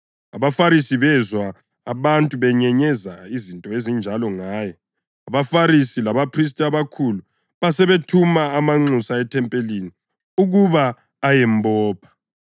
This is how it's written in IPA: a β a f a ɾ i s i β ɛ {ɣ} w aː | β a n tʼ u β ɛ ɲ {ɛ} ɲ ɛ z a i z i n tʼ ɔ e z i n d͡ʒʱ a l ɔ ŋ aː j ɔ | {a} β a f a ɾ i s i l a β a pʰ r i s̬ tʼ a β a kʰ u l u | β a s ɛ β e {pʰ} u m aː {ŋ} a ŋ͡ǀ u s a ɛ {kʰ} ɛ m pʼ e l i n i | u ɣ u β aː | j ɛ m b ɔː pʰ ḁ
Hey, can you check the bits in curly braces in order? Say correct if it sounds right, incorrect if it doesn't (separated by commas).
incorrect, correct, correct, incorrect, incorrect, incorrect